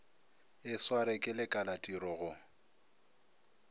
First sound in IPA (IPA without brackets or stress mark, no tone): ɪ